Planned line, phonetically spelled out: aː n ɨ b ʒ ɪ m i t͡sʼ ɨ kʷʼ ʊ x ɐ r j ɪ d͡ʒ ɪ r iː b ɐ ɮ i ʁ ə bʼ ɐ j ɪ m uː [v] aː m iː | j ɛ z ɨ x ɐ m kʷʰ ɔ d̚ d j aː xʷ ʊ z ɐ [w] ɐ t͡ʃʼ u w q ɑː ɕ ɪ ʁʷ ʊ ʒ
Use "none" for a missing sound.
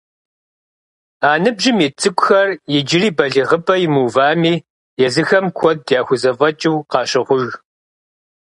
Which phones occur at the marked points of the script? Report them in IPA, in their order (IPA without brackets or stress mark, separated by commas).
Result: v, v